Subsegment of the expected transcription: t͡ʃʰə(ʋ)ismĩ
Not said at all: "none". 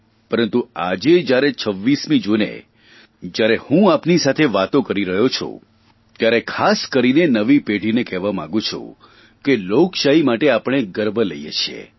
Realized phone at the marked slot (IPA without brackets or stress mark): ʋː